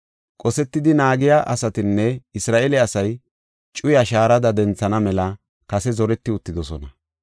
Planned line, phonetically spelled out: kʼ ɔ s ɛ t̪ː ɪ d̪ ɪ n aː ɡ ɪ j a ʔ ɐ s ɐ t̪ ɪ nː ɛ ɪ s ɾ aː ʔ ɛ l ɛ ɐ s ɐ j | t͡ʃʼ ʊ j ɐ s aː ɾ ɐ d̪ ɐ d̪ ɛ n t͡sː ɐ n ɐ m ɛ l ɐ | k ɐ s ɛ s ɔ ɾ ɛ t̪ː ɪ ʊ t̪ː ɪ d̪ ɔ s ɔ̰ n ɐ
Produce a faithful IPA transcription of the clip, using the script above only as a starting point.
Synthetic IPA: kʼ ɔ s ɛ t̪ː ɪ d̪ ɪ n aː ɡ ɪ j a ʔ ɐ s ɐ t̪ ɪ nː ɛ ɪ s ɾ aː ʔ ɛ l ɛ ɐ s ɐ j | t͡ʃʼ ʊ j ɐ ʃ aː ɾ ɐ d̪ ɐ d̪ ɛ n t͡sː ɐ n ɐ m ɛ l ɐ | k ɐ s ɛ z ɔ ɾ ɛ t̪ː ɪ ʊ t̪ː ɪ d̪ ɔ s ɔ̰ n ɐ